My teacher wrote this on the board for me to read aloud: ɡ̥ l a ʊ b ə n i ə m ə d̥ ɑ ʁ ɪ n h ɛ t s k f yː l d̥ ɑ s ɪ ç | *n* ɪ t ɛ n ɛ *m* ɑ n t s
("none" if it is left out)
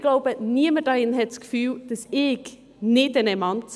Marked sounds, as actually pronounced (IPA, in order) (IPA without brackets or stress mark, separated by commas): n, m